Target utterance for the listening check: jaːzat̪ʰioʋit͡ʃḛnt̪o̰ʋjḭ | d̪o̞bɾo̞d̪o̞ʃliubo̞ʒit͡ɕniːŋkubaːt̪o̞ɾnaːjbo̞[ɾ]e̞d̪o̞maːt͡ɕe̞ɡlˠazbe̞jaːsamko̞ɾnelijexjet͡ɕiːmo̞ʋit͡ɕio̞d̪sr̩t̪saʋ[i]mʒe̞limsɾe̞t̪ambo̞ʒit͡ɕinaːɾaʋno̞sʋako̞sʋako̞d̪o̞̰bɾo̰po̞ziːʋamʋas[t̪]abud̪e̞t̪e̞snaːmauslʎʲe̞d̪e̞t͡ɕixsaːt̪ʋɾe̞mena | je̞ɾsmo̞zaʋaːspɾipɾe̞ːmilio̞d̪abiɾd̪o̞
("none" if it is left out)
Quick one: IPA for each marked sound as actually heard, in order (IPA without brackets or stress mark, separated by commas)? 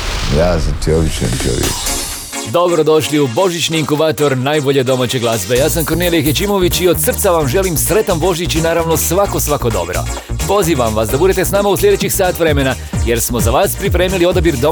ʎ, a, d̪